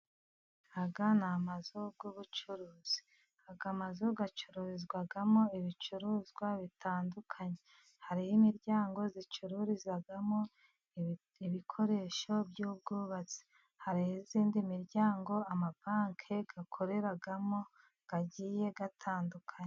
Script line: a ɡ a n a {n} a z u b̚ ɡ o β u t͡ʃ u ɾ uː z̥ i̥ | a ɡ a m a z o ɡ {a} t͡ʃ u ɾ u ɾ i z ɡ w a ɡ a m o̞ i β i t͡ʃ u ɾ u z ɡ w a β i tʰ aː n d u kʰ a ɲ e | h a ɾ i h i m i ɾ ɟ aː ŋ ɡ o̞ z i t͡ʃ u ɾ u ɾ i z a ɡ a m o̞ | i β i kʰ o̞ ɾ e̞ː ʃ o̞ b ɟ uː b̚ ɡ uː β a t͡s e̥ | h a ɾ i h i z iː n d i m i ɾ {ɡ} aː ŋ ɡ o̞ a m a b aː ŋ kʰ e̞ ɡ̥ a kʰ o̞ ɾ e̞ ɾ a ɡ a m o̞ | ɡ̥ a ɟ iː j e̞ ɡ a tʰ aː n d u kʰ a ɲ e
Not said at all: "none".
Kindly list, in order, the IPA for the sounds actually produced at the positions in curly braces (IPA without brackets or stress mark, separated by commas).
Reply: m, a, ɟ